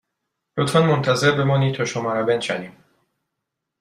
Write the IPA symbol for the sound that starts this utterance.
l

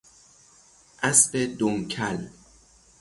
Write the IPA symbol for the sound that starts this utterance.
ʔ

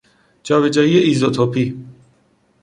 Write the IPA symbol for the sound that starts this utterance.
d͡ʒ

